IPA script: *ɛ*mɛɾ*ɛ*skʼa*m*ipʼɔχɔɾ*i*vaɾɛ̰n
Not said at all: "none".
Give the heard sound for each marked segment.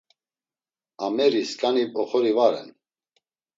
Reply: a, i, n, i

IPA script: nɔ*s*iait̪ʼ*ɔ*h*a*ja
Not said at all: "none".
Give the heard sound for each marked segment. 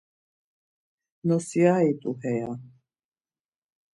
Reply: s, u, ɛ

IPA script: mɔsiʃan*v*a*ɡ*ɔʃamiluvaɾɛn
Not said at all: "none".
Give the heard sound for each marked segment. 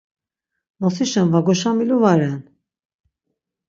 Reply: v, ɡ

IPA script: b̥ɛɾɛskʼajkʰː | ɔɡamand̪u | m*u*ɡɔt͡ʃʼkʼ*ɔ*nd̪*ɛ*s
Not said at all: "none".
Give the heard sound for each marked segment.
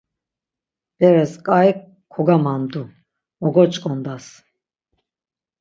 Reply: ɔ, ɔ, a

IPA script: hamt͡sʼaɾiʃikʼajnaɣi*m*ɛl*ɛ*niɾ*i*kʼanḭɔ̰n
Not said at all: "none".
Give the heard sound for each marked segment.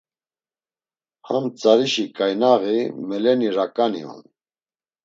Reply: m, ɛ, a

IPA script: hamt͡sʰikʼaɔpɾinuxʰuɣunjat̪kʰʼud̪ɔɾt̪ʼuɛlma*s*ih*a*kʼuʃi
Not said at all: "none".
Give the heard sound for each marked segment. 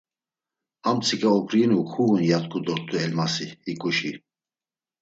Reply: s, i

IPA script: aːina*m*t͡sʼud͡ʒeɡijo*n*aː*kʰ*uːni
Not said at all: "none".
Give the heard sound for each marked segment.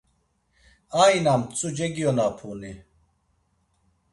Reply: m, n, pʰ

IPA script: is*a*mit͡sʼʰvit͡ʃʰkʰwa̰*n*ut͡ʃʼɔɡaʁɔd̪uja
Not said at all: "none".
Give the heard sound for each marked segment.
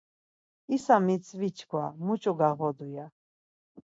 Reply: a, m

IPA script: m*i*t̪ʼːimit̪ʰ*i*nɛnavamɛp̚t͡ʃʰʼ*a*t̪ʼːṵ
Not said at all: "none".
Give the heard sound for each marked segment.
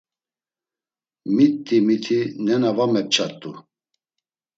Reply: i, i, a

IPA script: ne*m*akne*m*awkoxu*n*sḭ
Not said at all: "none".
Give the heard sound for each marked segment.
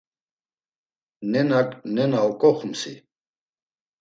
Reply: n, n, m

